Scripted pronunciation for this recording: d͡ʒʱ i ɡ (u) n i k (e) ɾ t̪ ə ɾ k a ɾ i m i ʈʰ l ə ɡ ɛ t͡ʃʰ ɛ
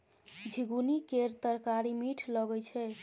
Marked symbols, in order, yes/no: yes, yes

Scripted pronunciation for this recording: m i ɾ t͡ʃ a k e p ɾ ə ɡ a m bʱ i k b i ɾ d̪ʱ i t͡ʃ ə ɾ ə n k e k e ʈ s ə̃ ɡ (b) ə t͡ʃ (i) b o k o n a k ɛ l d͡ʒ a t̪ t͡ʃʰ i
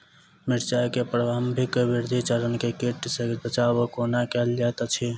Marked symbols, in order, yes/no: yes, no

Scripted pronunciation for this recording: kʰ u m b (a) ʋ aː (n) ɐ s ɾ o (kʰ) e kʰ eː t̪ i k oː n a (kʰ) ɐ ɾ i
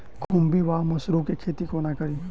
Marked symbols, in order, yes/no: no, no, no, no

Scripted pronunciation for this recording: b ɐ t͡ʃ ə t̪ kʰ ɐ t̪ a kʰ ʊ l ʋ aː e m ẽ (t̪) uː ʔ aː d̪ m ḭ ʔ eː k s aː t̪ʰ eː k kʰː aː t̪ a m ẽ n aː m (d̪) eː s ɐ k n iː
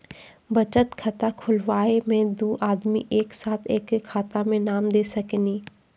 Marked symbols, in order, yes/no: no, yes

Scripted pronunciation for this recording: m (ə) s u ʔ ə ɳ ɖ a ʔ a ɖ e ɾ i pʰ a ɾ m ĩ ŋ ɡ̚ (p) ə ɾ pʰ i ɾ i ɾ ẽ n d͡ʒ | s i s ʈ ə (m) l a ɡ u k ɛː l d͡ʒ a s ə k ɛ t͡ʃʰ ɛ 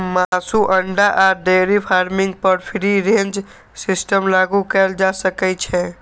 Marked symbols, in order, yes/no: no, yes, yes

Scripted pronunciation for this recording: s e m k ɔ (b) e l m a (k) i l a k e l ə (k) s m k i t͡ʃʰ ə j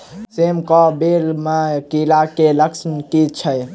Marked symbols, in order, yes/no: yes, yes, yes

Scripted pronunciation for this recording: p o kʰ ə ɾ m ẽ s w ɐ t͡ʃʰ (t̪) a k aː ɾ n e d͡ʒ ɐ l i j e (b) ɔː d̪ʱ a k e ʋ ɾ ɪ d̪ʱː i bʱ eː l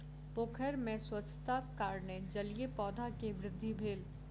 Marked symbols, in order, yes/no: yes, no

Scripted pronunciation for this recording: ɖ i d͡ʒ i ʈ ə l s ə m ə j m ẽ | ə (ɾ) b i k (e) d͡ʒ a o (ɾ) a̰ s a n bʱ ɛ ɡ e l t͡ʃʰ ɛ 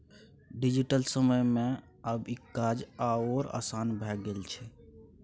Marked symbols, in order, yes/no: no, no, yes

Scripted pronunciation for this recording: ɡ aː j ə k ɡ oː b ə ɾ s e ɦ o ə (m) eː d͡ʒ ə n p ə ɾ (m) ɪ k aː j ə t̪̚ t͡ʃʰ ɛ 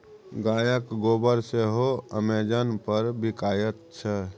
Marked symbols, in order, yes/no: yes, no

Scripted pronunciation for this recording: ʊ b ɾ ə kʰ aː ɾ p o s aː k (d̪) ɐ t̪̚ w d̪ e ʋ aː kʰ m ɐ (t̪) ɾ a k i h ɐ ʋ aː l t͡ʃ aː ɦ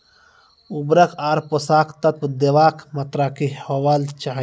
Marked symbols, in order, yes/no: no, yes

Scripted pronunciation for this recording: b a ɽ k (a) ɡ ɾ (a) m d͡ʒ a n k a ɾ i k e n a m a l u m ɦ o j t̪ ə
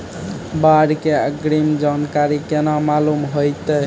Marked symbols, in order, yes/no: no, no

